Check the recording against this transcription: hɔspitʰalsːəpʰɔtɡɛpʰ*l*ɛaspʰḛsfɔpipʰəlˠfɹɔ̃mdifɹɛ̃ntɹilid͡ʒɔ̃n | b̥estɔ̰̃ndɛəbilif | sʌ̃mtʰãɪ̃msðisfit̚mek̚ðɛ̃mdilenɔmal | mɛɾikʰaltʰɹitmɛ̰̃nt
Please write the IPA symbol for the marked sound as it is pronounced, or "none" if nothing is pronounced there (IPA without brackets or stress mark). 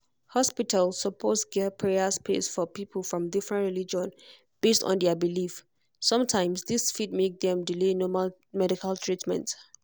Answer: ɹ